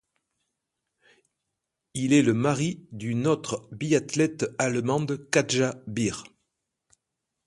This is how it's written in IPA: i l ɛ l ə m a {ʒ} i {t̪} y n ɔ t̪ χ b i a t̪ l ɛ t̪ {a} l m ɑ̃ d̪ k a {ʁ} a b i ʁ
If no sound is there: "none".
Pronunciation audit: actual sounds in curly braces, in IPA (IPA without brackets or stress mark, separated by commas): ʁ, d̪, a, ʒ